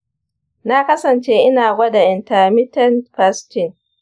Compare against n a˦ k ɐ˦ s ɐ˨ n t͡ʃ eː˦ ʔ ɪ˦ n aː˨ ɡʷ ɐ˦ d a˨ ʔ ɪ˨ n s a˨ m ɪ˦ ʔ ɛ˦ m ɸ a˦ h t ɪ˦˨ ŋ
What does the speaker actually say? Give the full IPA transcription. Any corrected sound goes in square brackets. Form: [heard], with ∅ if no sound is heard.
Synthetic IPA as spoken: n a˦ k ɐ˦ s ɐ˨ n t͡ʃ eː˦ ʔ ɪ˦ n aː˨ ɡʷ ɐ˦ d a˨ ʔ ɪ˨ n [t] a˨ m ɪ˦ [t] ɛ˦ [n] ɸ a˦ [s] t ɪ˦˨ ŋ